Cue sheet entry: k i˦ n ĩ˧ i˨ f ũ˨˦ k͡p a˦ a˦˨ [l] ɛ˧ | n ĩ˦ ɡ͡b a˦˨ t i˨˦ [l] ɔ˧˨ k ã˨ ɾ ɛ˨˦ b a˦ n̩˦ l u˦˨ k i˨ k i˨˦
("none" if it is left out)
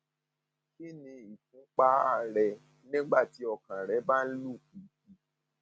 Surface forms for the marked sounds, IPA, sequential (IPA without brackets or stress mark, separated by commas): ɾ, none